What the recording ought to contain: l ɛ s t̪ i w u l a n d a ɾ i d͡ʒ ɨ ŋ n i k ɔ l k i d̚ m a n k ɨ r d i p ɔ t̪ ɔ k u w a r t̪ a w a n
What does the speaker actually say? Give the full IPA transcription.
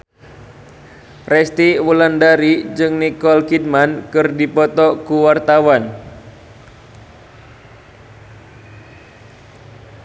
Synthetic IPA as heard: r ɛ s t̪ i w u l a n d a ɾ i d͡ʒ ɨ ŋ n i k ɔ l k i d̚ m a n k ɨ r d i p ɔ t̪ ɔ k u w a r t̪ a w a n